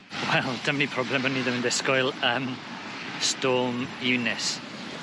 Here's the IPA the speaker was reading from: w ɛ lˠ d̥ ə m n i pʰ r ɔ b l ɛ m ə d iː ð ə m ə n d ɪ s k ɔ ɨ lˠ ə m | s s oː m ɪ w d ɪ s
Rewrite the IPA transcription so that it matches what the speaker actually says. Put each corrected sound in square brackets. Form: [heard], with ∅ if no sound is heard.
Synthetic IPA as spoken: w ɛ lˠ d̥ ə m n i pʰ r ɔ b l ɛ m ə [n] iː ð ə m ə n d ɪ s k ɔ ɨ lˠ ə m | s [t] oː m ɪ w [n] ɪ s